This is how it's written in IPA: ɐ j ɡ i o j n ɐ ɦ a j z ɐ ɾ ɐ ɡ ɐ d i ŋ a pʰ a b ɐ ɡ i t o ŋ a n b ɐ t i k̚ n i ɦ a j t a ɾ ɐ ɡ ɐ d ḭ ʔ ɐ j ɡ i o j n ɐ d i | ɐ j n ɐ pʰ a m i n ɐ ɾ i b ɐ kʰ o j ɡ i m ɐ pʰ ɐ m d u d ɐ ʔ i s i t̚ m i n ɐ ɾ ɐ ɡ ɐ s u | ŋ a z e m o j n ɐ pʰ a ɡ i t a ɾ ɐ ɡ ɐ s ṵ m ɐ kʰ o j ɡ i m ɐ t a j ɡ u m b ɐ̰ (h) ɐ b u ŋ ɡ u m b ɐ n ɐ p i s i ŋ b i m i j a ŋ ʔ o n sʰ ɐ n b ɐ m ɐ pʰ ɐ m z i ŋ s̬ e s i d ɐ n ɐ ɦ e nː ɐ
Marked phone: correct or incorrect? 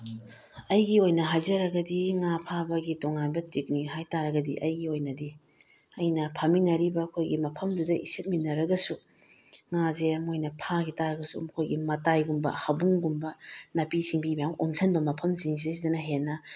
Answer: correct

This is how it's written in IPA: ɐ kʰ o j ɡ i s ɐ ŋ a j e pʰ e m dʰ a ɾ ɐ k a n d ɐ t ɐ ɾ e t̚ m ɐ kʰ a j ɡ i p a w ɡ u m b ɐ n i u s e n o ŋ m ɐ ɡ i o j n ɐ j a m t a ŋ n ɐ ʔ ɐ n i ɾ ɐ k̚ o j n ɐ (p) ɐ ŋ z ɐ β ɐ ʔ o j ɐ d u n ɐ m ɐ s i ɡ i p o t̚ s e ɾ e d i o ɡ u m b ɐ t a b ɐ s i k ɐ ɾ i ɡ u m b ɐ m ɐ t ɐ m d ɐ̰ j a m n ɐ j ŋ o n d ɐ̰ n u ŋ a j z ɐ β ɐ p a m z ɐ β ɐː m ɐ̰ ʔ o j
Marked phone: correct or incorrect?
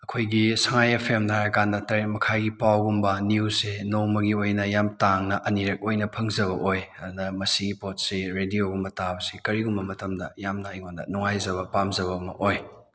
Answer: incorrect: pʰ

